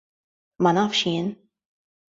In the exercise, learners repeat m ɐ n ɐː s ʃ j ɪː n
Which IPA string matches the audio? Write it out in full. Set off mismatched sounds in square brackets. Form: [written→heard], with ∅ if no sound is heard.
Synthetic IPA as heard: m ɐ n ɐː [s→f] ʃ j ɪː n